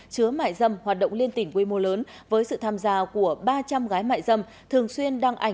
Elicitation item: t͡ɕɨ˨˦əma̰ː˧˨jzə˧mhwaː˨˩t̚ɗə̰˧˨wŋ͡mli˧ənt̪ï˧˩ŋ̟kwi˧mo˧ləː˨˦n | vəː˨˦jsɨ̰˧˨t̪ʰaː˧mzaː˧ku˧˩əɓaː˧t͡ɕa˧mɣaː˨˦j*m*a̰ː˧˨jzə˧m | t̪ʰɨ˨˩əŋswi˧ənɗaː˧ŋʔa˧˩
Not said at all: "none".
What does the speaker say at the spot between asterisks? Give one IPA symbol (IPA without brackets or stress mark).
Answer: m